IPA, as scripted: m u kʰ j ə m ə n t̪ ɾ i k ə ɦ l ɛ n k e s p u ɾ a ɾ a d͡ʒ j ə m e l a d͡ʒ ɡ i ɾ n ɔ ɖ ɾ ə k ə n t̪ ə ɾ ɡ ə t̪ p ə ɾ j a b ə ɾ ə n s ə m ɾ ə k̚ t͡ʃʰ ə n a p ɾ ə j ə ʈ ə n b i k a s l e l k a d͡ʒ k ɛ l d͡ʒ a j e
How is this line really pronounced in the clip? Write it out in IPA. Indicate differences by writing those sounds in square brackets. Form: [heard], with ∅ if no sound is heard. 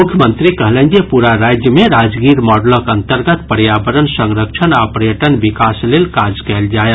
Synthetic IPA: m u kʰ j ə m ə n t̪ ɾ i k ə ɦ l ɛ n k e [∅] p u ɾ a ɾ a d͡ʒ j ə m e [ɾ] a d͡ʒ ɡ i ɾ [m] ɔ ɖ [l] ə k ə n t̪ ə ɾ ɡ ə t̪ p ə ɾ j a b ə ɾ ə n s ə [ŋ] ɾ ə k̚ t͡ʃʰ ə n a p ɾ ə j ə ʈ ə n b i k a s l e l k a d͡ʒ k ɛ l d͡ʒ a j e